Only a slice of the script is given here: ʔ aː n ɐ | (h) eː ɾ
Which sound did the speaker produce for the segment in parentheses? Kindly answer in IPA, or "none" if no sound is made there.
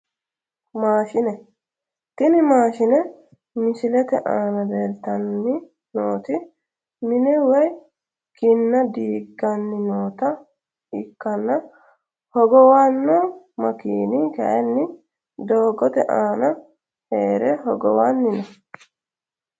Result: h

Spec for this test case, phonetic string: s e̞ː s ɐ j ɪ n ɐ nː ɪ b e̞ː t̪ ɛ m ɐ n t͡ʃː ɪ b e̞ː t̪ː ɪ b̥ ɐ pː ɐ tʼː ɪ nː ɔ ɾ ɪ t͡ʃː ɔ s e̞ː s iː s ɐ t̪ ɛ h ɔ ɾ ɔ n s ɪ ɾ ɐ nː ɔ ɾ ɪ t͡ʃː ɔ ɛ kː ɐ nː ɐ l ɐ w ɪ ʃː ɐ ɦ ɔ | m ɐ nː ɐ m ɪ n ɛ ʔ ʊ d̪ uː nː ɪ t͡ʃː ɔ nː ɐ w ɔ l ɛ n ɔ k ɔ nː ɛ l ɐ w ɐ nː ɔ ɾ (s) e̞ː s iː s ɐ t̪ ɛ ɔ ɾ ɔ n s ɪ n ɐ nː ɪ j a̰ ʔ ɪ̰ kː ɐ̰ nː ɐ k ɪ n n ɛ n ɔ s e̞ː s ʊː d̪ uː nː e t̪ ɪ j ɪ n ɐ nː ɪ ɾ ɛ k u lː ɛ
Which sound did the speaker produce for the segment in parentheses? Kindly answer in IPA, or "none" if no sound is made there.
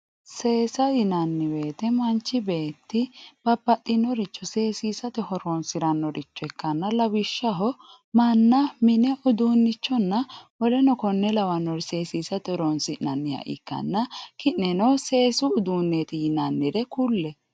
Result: s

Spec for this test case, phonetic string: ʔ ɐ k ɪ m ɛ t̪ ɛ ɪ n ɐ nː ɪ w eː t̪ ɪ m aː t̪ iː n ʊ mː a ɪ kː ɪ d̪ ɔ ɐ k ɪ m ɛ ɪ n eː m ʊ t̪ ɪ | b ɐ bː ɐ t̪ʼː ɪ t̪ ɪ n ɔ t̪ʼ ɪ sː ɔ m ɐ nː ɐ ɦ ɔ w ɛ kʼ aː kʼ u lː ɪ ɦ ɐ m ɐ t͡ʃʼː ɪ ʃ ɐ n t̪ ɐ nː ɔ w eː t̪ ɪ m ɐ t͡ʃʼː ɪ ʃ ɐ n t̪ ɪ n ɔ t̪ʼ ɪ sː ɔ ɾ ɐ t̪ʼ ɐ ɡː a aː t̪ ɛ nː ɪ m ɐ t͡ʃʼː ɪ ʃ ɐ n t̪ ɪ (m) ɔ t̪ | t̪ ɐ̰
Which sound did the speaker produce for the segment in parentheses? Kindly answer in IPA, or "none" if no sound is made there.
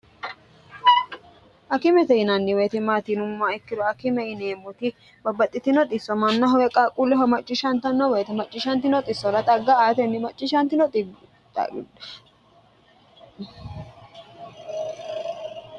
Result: n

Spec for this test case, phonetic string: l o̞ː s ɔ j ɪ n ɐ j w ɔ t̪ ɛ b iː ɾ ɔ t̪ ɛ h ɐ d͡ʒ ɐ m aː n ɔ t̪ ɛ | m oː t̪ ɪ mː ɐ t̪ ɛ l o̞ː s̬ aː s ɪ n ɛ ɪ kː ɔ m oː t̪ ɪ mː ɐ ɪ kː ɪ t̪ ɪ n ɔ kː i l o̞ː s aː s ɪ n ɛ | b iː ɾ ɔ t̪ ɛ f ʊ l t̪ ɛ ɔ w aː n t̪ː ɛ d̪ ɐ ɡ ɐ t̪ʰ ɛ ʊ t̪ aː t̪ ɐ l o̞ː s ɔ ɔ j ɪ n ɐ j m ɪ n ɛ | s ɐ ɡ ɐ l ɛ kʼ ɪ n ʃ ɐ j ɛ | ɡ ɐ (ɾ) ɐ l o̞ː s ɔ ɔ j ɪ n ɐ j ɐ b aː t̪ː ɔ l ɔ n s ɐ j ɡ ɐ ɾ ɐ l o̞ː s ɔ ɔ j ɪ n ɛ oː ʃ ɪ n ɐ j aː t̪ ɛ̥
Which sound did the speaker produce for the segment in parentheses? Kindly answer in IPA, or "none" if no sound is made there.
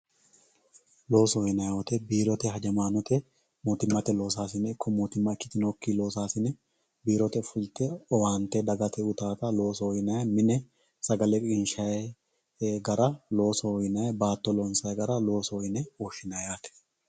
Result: ɾ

